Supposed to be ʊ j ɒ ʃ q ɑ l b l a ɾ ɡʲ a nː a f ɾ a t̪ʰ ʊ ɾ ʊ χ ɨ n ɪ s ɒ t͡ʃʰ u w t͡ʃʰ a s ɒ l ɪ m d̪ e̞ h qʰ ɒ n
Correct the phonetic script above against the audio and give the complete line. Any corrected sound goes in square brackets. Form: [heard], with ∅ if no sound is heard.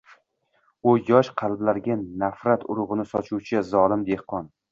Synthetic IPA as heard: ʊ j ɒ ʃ [qʰ] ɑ l b l a ɾ ɡʲ a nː a f ɾ a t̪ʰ ʊ ɾ ʊ [ʁ] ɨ n ɪ s ɒ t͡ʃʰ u w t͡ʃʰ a [z] ɒ l ɪ m d̪ e̞ h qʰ ɒ n